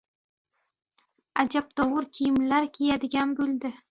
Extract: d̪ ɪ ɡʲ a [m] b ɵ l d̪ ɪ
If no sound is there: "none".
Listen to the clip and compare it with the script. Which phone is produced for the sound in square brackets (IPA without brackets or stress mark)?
n